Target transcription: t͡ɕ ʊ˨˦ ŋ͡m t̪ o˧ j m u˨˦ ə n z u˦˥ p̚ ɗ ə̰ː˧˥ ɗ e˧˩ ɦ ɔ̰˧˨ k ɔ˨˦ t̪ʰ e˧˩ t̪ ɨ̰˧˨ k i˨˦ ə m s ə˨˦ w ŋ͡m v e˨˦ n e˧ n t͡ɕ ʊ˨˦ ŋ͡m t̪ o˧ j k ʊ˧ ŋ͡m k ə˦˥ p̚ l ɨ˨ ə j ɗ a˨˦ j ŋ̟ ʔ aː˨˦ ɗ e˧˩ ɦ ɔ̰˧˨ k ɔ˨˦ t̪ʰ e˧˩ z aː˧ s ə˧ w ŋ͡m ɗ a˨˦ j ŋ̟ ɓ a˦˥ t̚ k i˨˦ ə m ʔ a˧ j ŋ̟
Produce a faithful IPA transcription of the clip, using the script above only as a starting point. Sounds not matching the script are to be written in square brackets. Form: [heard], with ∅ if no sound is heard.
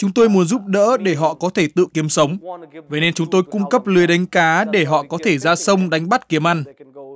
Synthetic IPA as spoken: t͡ɕ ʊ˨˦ ŋ͡m t̪ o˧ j m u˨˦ ə n z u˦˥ p̚ ɗ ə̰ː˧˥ ɗ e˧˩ ɦ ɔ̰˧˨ k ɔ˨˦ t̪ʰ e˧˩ t̪ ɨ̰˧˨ k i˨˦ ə m s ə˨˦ w ŋ͡m v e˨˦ n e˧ n t͡ɕ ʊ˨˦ ŋ͡m t̪ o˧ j k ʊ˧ ŋ͡m k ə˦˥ p̚ l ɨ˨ ə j ɗ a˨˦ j ŋ̟ [k] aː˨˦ ɗ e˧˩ ɦ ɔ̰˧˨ k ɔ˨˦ t̪ʰ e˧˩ z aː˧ s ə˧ w ŋ͡m ɗ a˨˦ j ŋ̟ ɓ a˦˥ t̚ k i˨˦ ə m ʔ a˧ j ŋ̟